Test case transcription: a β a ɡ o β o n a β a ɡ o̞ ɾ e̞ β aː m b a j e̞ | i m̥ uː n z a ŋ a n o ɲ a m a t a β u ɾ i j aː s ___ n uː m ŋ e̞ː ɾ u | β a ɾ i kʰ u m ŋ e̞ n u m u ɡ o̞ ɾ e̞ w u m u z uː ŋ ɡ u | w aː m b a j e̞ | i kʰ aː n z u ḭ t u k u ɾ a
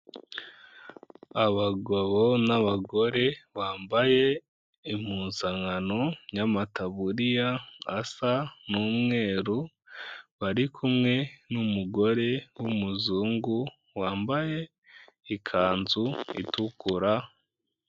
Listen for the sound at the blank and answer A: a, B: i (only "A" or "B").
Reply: A